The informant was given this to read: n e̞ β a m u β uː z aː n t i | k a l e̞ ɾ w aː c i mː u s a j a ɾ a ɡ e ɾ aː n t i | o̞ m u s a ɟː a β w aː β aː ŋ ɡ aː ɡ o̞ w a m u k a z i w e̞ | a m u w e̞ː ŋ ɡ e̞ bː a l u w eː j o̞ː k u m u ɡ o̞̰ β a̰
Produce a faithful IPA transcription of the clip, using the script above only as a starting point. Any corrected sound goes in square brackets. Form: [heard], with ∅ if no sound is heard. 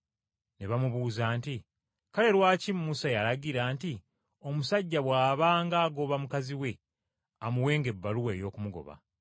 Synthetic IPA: n e̞ β a m u β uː z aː n t i | k a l e̞ ɾ w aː c i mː u s a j a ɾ a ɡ [i] ɾ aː n t i | o̞ m u s a ɟː a β w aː β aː ŋ ɡ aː ɡ o̞ [β] a m u k a z i w e̞ | a m u w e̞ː ŋ ɡ e̞ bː a l u w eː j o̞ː k u m u ɡ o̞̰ β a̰